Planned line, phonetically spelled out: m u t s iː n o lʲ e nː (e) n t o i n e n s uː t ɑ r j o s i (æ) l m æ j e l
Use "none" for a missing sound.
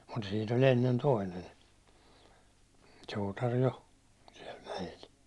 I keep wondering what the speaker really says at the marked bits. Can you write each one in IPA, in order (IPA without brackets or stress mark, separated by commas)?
e, ɛ